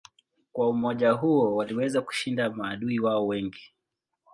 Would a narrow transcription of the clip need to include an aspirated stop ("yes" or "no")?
no